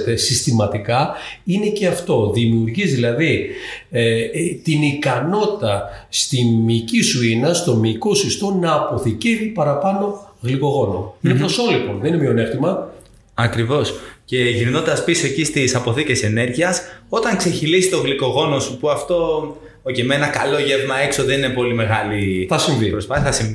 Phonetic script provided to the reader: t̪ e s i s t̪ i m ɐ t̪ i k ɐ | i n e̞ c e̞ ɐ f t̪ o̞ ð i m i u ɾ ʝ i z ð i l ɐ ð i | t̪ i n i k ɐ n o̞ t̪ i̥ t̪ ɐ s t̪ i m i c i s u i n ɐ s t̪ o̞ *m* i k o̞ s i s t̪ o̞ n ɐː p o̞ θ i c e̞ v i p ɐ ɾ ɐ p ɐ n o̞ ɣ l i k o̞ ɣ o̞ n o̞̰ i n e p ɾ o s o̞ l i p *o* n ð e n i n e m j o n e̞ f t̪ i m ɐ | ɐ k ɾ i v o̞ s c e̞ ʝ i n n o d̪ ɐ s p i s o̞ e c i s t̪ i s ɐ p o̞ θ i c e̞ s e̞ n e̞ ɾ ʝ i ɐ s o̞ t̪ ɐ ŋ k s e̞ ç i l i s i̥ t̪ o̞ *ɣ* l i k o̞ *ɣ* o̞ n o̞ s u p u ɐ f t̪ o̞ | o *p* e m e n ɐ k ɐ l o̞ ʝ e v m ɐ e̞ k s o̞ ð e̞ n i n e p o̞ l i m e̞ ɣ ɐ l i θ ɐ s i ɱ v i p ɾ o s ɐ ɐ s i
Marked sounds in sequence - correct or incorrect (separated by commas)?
correct, correct, correct, correct, incorrect